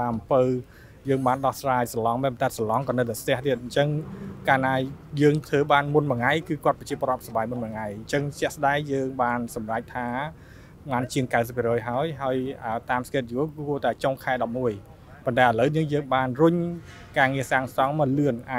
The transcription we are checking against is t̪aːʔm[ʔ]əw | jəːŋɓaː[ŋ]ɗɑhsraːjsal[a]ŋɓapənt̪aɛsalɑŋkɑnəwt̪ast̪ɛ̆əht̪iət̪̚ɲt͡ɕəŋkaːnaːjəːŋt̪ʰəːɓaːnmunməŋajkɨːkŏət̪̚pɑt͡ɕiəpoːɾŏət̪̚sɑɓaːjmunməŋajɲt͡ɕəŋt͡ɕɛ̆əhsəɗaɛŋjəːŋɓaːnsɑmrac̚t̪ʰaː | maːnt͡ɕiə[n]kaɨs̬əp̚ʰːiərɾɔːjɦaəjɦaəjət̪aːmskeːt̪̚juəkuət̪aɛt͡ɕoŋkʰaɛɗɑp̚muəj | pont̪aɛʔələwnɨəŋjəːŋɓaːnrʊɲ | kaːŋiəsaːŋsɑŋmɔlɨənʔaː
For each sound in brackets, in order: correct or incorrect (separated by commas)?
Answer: incorrect, incorrect, incorrect, incorrect